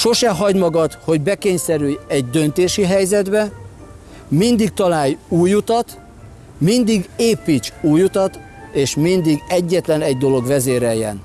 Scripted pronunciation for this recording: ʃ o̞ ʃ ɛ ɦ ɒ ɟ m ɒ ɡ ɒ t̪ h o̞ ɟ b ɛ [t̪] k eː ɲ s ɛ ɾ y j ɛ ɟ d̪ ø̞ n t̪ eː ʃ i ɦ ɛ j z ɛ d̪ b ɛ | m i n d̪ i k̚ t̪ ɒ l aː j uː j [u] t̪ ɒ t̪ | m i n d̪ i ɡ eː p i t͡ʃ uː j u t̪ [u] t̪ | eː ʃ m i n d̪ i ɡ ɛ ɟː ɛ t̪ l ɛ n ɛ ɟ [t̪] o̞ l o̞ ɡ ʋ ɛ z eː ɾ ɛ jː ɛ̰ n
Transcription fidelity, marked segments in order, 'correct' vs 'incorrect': incorrect: none, correct, incorrect: ɒ, incorrect: d̪

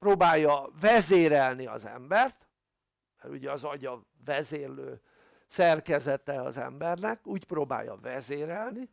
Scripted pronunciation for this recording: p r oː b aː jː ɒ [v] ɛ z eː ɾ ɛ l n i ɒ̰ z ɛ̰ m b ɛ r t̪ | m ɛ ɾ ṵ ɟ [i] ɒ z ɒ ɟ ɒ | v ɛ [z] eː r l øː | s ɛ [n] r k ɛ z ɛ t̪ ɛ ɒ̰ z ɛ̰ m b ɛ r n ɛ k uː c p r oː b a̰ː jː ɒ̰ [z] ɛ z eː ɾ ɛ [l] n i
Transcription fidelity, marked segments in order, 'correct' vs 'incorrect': correct, incorrect: ɛ, correct, incorrect: none, incorrect: v, correct

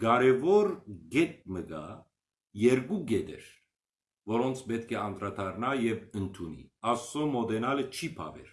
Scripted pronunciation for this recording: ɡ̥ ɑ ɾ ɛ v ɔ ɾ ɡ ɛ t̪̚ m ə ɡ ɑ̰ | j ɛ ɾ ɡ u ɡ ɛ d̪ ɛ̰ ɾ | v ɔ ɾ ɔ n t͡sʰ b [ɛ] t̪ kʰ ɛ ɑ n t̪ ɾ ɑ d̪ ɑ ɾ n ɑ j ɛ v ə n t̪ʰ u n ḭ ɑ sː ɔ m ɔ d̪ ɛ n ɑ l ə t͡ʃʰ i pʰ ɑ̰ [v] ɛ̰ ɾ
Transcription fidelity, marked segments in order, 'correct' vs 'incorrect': correct, correct

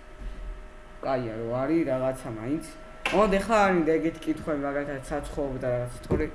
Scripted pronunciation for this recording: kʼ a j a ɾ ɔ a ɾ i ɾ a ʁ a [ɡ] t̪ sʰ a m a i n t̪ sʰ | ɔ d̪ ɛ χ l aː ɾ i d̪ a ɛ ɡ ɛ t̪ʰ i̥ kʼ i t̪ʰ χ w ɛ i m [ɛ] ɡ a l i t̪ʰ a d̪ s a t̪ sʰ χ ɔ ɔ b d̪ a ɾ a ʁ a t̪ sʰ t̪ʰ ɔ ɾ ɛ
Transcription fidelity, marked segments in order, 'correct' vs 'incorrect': incorrect: none, incorrect: a

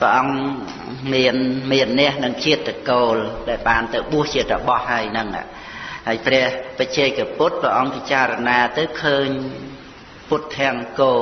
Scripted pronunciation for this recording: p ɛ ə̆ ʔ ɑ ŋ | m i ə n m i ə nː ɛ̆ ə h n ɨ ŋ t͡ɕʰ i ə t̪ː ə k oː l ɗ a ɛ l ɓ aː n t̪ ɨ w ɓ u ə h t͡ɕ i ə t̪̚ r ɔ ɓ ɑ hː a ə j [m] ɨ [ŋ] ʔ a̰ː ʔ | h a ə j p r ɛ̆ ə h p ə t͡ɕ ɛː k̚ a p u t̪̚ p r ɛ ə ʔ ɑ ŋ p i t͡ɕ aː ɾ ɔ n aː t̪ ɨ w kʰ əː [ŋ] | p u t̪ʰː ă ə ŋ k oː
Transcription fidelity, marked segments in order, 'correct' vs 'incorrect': incorrect: n, correct, incorrect: ɲ

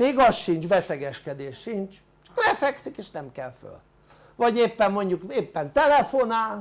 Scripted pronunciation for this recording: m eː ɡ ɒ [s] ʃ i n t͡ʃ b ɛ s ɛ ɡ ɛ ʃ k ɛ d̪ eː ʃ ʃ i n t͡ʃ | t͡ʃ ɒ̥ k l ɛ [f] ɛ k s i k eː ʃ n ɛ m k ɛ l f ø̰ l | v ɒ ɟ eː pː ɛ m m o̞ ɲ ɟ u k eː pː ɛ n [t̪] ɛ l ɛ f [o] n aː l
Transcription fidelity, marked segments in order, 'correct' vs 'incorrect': correct, correct, correct, correct

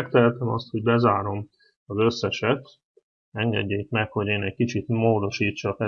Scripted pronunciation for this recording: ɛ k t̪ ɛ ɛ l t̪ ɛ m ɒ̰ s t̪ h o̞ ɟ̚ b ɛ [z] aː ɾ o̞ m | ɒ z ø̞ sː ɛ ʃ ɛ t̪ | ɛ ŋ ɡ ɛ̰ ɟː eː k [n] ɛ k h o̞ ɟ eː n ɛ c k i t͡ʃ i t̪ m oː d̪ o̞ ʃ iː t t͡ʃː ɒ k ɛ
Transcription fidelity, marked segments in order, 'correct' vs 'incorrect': correct, incorrect: m

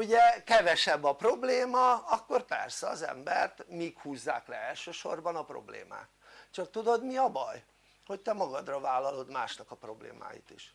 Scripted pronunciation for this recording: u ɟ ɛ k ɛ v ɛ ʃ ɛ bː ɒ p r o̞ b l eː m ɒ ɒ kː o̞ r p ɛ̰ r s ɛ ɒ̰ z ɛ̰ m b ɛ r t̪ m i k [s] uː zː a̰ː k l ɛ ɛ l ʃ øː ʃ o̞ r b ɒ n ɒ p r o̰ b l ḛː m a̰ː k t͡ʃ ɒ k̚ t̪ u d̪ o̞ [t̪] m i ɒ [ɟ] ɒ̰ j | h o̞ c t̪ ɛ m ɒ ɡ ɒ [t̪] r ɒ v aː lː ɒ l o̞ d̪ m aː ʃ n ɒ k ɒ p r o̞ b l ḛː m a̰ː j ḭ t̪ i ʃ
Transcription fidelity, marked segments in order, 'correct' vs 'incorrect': incorrect: h, incorrect: d̪, incorrect: b, incorrect: d̪

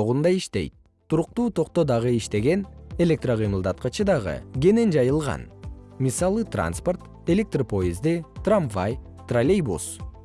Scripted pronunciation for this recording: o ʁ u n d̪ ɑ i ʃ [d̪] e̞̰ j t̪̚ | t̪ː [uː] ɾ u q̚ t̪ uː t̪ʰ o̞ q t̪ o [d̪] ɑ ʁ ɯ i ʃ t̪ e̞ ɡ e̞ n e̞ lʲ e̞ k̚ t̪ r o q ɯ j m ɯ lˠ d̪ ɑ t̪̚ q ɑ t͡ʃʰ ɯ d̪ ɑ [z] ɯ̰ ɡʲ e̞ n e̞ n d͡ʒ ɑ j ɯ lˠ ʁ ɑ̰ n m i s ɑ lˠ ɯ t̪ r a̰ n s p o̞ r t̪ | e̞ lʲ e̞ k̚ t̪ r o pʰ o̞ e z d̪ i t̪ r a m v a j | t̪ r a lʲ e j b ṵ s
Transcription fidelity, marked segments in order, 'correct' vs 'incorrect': incorrect: t̪, incorrect: u, correct, incorrect: ʁ

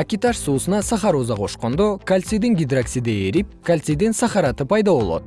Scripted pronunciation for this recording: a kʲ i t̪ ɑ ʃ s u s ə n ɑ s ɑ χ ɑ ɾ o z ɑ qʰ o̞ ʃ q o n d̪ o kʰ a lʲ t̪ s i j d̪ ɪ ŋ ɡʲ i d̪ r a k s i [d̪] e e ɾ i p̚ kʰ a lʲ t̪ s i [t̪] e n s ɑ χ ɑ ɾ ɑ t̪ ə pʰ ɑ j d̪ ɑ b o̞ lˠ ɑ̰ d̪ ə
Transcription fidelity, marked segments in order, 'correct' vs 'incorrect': correct, incorrect: d̪

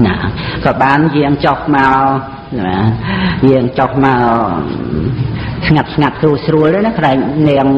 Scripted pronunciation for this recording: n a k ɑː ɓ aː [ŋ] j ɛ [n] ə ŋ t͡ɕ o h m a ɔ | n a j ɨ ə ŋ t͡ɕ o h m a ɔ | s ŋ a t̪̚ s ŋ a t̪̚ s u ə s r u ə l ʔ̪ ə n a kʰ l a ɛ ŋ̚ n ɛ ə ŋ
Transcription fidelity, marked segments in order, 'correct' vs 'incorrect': incorrect: n, incorrect: none

